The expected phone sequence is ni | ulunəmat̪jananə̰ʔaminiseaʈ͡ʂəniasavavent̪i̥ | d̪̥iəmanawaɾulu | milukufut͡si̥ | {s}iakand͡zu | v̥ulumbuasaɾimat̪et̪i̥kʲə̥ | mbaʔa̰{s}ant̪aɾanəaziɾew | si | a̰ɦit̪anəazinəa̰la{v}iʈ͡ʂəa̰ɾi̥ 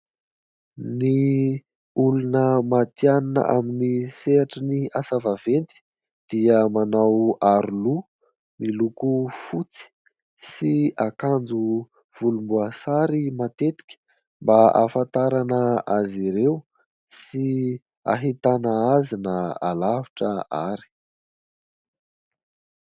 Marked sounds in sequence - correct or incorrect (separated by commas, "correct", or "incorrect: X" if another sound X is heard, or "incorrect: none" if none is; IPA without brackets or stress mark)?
correct, incorrect: f, correct